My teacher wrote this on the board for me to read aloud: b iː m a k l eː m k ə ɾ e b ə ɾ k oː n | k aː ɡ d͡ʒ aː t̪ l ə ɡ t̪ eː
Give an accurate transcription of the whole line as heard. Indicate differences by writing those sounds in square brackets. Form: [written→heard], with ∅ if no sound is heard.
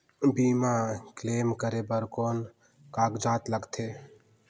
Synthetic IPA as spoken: b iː m a k l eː m k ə ɾ e b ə ɾ k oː n | k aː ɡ d͡ʒ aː t̪ l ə ɡ [t̪→t̪ʰ] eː

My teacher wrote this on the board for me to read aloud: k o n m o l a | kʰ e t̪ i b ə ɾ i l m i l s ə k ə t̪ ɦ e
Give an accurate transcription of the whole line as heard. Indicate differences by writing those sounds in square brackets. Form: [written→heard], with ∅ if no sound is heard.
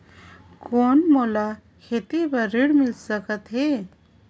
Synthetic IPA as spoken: k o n m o l a | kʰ e t̪ i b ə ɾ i [l→ɽ] m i l s ə k ə t̪ ɦ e

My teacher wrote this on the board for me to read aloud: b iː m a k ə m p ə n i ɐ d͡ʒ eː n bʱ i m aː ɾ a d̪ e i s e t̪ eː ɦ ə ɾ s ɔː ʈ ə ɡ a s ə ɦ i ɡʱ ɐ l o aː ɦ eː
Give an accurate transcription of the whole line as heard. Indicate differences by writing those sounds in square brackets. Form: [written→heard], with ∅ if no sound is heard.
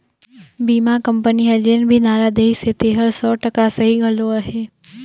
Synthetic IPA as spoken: b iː m a k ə m p ə n i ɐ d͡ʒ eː n bʱ i [m→n] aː ɾ a d̪ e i s e t̪ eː ɦ ə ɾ s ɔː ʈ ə [ɡ→k] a s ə ɦ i ɡʱ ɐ l o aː ɦ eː

